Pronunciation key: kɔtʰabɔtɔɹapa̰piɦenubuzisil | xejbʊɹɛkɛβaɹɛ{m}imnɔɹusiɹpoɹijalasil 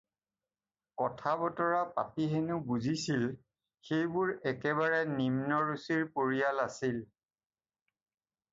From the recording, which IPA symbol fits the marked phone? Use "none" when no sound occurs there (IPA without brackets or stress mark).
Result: n